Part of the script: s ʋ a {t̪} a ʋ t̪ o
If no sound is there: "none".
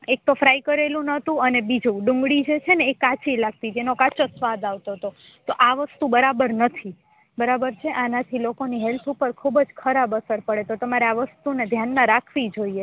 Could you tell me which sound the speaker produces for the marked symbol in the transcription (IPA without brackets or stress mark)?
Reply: d̪